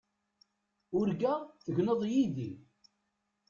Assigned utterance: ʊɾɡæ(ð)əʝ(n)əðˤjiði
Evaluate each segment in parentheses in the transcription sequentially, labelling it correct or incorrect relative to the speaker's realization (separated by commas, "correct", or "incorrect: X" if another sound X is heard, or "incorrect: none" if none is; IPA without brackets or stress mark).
incorrect: θ, correct